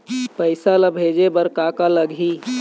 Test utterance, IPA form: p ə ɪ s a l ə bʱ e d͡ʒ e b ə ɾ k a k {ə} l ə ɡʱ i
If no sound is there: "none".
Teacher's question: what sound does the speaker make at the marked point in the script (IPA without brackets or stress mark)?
a